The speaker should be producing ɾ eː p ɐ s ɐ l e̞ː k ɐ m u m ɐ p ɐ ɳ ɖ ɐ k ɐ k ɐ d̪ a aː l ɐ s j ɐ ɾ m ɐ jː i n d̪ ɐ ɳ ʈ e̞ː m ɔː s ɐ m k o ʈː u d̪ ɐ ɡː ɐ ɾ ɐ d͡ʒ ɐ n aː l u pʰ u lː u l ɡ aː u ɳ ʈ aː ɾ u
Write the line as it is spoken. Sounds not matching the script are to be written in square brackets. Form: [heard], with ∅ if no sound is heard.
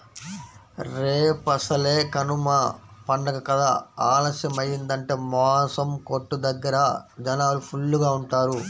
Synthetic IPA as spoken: ɾ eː p ɐ s ɐ l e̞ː k ɐ [n] u m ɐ p ɐ ɳ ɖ ɐ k ɐ k ɐ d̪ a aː l ɐ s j ɐ [∅] m ɐ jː i n d̪ ɐ ɳ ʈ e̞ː m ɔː s ɐ m k o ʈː u d̪ ɐ ɡː ɐ ɾ ɐ d͡ʒ ɐ n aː l u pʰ u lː u [∅] ɡ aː u ɳ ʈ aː ɾ u